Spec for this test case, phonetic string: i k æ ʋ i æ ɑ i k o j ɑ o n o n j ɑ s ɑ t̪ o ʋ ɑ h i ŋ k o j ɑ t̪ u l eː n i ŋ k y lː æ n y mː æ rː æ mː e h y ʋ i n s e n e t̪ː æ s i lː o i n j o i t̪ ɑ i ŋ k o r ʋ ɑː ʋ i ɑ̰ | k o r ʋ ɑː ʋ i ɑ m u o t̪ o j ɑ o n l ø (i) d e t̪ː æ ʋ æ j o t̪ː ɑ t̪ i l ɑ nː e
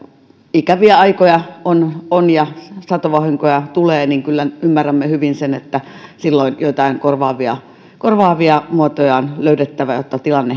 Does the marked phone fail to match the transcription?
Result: yes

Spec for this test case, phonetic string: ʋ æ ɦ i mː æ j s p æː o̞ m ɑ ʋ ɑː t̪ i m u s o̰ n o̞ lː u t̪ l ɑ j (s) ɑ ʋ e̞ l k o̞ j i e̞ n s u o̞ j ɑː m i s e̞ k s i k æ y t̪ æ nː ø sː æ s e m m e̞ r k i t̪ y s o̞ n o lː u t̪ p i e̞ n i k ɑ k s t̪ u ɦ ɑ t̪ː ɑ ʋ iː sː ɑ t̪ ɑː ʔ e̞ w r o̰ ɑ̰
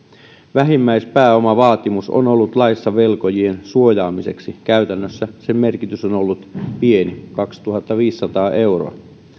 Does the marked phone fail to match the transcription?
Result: yes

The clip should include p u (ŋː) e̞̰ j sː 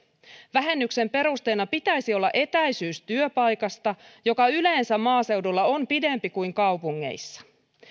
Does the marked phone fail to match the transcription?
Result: no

